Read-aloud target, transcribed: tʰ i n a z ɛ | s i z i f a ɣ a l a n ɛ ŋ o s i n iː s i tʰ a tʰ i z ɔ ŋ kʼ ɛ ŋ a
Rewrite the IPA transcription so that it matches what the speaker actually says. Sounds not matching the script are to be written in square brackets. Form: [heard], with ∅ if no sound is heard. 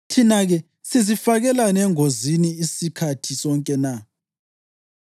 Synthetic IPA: tʰ i n a [ɣ] ɛ | s i z i f a ɣ [ɛ] l a n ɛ ŋ o [z] i n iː s i [kʰ] a tʰ i [s] ɔ ŋ kʼ ɛ [n] a